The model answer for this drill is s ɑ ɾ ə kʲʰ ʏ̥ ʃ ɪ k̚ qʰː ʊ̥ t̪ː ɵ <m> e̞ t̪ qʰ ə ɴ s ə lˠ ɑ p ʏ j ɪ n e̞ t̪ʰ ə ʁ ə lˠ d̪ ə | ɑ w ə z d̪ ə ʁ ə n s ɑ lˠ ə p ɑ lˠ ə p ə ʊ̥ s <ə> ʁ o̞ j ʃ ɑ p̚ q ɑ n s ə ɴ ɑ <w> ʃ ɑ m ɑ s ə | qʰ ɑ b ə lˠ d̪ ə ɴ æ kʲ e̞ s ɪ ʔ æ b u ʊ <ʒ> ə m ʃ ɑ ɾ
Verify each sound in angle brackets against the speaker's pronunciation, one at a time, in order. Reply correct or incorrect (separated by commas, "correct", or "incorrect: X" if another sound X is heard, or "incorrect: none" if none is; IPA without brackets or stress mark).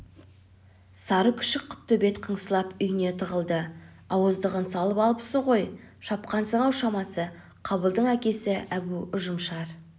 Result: incorrect: b, correct, correct, correct